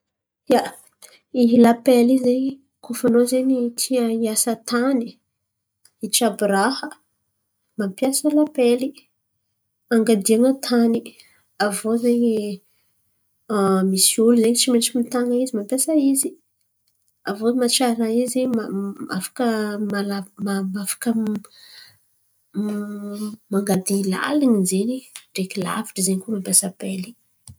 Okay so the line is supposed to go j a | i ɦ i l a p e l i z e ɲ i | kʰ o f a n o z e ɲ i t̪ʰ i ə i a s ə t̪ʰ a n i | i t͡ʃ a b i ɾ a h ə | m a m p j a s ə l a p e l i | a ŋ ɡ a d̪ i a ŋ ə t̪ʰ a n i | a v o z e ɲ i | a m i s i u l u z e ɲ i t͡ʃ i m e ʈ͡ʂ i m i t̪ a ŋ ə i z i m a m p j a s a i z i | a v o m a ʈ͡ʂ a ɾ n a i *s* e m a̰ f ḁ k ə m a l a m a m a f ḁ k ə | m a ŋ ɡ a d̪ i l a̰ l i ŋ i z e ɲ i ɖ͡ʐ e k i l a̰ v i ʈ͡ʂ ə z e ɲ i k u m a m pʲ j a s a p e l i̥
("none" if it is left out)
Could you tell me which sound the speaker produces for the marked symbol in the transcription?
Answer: z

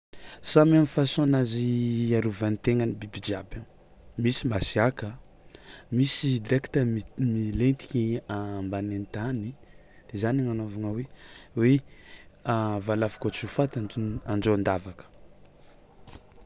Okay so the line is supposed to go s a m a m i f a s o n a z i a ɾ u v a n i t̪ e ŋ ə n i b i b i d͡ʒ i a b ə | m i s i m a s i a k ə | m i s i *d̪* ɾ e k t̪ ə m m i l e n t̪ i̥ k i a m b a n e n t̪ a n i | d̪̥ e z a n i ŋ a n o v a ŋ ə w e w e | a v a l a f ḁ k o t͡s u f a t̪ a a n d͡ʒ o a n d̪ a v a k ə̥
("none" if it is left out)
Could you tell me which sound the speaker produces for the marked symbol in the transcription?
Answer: d̪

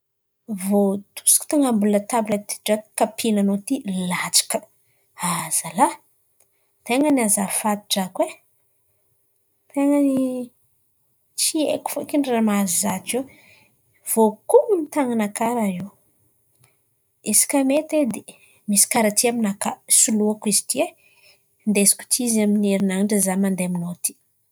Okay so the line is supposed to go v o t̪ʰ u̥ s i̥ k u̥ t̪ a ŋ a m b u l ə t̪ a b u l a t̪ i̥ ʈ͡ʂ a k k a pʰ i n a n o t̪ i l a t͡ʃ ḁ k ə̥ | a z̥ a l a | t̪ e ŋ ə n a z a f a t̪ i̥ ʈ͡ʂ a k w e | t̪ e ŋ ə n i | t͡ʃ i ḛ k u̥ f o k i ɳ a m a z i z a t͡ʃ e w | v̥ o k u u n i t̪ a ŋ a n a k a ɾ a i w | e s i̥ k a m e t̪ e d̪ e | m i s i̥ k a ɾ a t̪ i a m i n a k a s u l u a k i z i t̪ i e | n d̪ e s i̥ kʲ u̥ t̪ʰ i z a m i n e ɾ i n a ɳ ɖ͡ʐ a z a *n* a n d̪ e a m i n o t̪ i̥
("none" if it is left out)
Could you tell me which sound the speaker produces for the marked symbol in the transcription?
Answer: m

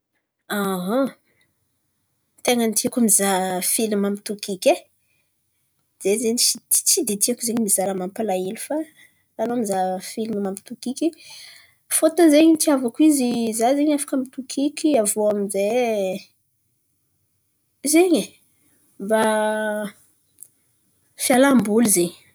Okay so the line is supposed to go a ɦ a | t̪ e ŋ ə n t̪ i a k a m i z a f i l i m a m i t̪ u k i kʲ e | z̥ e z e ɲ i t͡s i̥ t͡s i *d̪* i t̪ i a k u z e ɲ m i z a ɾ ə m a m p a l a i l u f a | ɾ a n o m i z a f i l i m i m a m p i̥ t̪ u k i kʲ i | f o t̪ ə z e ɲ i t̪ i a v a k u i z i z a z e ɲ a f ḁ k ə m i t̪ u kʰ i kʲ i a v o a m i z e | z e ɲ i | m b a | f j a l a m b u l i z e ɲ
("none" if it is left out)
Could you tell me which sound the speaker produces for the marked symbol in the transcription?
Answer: d̪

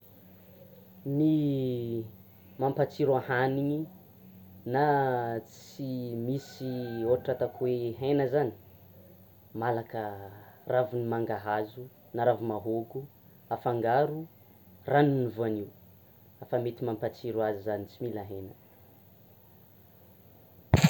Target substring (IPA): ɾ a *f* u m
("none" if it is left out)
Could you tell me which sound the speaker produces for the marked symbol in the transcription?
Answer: v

